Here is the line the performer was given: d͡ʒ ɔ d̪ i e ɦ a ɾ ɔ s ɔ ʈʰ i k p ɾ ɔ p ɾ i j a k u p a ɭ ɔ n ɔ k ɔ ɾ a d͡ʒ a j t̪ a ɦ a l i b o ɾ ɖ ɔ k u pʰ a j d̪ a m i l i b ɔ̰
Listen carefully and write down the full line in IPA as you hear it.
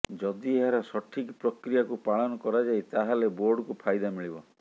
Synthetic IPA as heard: d͡ʒ ɔ d̪ i e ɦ a ɾ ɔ s ɔ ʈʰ i k p ɾ ɔ k ɾ i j a k u p a ɭ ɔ n ɔ k ɔ ɾ a d͡ʒ a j t̪ a ɦ a l e b o ɾ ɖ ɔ k u pʰ a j d̪ a m i ɭ i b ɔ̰